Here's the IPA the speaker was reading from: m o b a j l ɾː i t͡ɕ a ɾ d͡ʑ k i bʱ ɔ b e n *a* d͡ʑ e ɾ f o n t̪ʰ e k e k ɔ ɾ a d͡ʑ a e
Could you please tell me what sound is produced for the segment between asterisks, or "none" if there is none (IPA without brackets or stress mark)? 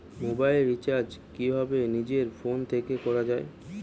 i